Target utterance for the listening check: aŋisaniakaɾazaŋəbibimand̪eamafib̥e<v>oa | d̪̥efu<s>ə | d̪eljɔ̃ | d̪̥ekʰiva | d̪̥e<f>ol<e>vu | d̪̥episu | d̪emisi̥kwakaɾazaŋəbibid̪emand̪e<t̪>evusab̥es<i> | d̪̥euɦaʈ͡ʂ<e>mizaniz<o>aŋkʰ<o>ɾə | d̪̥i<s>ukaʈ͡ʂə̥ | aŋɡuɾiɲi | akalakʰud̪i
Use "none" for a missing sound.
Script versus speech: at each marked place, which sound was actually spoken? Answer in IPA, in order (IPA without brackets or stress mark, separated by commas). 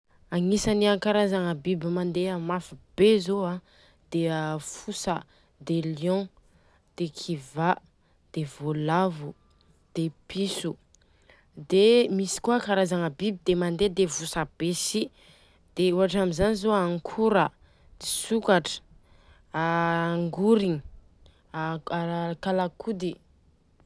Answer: z, s, v, a, d̪, i, a, o, u, s